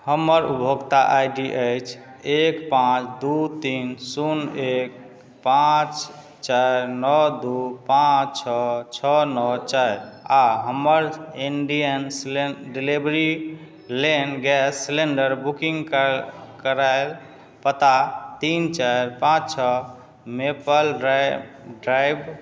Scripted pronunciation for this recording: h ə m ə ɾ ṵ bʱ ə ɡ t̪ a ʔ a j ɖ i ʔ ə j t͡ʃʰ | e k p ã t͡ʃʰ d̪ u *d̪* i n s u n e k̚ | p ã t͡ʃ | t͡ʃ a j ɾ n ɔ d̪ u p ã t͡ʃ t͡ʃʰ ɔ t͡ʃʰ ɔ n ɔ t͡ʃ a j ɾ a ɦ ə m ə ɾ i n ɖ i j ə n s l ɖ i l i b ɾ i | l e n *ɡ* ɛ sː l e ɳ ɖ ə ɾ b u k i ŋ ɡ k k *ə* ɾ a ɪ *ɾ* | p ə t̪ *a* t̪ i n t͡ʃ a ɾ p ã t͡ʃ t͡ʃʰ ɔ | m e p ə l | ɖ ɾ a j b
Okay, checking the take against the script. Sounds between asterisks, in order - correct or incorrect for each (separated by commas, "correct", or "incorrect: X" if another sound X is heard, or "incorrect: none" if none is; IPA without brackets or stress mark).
incorrect: t̪, correct, correct, incorrect: l, correct